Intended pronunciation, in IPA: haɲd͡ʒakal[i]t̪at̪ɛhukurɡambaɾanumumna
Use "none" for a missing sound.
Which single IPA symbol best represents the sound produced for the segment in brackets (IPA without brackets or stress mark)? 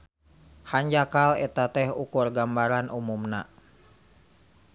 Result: ɛ